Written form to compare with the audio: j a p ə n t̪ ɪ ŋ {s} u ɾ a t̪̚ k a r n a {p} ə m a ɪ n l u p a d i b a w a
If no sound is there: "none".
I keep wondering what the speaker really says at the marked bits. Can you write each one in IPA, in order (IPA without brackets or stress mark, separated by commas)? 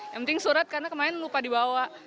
s, k